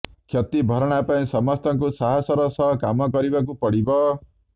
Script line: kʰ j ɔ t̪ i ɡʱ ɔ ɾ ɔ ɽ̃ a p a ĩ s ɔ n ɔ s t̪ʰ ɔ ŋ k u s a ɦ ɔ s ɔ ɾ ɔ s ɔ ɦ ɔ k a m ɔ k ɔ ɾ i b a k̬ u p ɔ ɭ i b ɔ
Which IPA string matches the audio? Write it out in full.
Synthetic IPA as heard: kʰ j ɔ t̪ i bʱ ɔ ɾ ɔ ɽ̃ a p a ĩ s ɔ m ɔ s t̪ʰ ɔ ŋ k u s a ɦ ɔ s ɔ ɾ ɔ s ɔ ɦ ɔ k a m ɔ k ɔ ɾ i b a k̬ u p ɔ ɽ i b ɔ